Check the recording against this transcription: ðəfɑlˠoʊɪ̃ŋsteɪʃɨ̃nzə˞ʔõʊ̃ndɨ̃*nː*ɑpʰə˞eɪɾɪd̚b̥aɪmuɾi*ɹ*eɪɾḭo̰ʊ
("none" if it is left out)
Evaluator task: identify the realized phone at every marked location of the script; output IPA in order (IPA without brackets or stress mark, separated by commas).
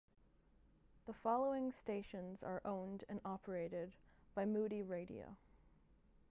n, ɹ